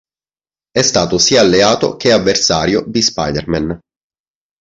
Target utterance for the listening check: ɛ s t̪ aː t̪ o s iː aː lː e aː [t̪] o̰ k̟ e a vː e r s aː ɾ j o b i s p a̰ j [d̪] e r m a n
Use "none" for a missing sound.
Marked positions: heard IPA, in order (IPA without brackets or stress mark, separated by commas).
t̪, d̪